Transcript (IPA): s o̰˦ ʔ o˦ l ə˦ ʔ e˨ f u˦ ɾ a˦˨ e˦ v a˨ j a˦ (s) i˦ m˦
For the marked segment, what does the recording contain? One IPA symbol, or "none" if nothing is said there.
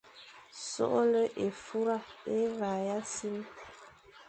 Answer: s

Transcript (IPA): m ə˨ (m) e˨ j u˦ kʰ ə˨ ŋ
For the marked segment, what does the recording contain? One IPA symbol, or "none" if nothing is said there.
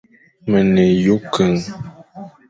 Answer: n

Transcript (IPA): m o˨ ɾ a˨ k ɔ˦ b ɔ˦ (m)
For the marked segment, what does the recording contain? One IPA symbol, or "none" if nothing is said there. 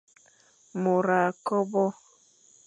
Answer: none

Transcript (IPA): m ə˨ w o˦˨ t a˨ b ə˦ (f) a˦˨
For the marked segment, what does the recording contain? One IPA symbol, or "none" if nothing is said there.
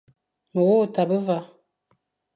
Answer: v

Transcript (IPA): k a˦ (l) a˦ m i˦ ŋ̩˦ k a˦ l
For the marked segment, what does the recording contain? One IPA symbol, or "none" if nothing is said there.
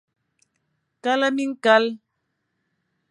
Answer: l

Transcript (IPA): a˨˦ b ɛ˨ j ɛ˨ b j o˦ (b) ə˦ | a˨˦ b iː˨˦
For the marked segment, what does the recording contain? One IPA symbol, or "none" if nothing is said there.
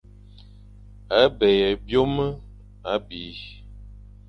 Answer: m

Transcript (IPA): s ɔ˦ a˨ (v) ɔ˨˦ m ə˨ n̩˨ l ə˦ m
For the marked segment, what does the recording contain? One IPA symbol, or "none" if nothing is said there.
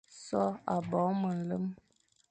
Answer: b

